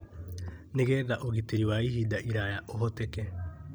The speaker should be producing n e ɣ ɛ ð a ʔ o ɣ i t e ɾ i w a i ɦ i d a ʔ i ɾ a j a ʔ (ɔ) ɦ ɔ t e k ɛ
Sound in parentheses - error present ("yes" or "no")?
yes